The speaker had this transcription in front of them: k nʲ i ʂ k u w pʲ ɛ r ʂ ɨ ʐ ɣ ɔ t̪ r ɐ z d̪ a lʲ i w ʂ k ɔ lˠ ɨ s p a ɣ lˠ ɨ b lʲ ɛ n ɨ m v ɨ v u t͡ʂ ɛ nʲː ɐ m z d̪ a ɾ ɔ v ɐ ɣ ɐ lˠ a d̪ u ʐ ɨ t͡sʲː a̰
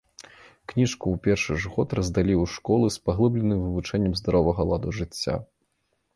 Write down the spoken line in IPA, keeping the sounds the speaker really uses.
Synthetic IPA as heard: k nʲ i ʂ k u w pʲ ɛ r ʂ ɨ ʐ ɣ ɔ t̪ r ɐ z d̪ a lʲ i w ʂ k ɔ lˠ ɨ s p a ɣ lˠ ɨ b lʲ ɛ n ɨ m v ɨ v u t͡ʂ ɛ nʲː ɐ m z d̪ a ɾ ɔ v ɐ ɣ ɐ lˠ a d̪ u ʐ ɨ t͡sʲː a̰

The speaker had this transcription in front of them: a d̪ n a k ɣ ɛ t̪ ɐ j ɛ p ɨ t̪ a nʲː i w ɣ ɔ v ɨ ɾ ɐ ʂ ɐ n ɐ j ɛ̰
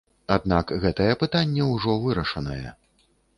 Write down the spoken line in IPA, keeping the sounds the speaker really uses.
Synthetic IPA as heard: a d̪ n a k ɣ ɛ t̪ ɐ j ɛ p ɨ t̪ a nʲː ɛ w ʐ ɔ v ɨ ɾ ɐ ʂ ɐ n ɐ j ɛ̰

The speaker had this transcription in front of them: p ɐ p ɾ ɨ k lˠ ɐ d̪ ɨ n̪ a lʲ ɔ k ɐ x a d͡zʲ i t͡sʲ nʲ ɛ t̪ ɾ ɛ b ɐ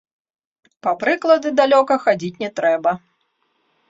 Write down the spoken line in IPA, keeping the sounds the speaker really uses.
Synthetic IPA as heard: p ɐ p ɾ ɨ k lˠ ɐ d̪ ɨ d̪ a lʲ ɔ k ɐ x a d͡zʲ i t͡sʲ nʲ ɛ t̪ ɾ ɛ b ɐ

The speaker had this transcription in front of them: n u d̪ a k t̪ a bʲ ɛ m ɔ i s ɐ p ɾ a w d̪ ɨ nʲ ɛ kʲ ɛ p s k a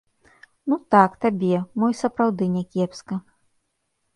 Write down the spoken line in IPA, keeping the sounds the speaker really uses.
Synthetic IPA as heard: n u t̪ a k t̪ a bʲ ɛ m ɔ j s ɐ p ɾ a w d̪ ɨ nʲ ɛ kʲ ɛ p s k ɐ

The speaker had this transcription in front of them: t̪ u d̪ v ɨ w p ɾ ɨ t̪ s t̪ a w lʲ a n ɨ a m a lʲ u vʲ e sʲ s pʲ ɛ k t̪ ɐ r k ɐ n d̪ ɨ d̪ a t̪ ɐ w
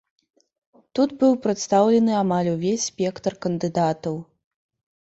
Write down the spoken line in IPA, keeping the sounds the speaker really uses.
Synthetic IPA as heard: t̪ u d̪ b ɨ w p ɾ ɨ t̪ s t̪ a w lʲ ɛ n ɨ a m a lʲ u vʲ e sʲ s pʲ ɛ k t̪ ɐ r k ɐ n d̪ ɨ d̪ a t̪ ɐ w

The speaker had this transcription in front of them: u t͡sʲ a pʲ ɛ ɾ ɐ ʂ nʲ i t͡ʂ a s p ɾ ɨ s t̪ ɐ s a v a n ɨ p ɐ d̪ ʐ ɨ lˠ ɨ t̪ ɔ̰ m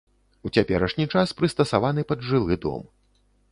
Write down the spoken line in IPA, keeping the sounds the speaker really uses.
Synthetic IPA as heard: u t͡sʲ a pʲ ɛ ɾ ɐ ʂ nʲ i t͡ʂ a s p ɾ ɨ s t̪ ɐ s a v a n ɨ p ɐ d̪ ʐ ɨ lˠ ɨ d̪ ɔ̰ m

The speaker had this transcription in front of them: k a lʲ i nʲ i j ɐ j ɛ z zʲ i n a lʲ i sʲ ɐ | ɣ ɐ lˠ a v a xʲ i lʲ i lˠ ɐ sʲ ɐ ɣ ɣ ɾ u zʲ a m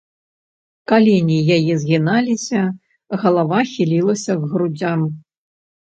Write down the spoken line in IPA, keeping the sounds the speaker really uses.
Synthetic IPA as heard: k a lʲ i nʲ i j a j ɛ z ɣʲ i n a lʲ i sʲ ɐ | ɣ ɐ lˠ a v a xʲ i lʲ i lˠ ɐ sʲ ɐ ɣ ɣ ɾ u d͡zʲ a m

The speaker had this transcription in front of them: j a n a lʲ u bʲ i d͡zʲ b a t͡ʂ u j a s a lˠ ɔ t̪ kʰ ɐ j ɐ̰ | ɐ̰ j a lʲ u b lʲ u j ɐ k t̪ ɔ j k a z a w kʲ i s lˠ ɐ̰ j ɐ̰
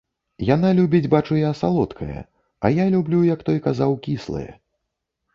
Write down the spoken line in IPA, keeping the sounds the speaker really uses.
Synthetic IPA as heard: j a n a lʲ u bʲ i d͡zʲ b a t͡ʂ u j a s a lˠ ɔ t̪ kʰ ɐ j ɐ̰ | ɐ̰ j a lʲ u b lʲ u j ɐ k t̪ ɔ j k a z a w kʲ i s lˠ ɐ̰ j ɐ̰

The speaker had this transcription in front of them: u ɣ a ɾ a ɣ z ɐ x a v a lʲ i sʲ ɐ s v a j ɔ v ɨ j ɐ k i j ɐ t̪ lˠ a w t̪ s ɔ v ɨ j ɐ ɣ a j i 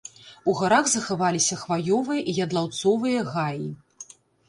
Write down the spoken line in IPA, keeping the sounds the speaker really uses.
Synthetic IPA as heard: u ɣ a ɾ a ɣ z ɐ x a v a lʲ i sʲ ɐ x v a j ɔ v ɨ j ɐ ʔ i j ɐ d̪ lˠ a w t̪ s ɔ v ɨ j ɐ ɣ a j i

